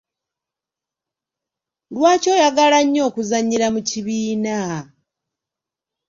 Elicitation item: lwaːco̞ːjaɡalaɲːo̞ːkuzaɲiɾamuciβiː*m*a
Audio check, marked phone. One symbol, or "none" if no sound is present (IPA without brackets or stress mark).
n